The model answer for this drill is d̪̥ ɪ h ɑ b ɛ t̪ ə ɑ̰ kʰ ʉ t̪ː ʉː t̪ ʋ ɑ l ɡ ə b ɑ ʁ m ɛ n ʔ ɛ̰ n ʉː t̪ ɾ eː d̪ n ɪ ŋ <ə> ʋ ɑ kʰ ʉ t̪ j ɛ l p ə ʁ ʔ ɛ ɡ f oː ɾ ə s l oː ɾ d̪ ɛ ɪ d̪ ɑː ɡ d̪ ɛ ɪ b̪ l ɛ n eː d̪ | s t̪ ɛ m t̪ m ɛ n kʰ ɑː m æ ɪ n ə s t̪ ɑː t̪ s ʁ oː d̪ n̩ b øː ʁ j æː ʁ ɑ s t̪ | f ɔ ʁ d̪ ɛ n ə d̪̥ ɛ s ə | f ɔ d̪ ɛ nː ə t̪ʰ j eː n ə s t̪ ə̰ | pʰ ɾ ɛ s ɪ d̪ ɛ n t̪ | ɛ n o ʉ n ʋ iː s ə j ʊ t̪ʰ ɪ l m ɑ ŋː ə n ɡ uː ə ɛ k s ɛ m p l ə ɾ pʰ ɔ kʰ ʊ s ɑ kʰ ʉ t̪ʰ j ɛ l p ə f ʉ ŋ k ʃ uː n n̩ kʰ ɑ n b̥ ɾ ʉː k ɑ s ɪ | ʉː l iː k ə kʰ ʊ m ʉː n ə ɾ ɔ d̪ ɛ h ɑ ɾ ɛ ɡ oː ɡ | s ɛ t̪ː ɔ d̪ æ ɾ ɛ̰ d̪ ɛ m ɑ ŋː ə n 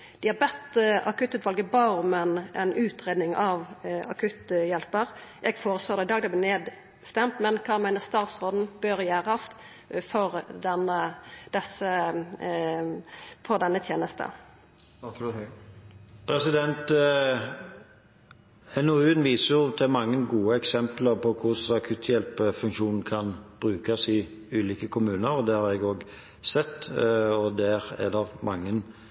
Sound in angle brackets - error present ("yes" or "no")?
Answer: yes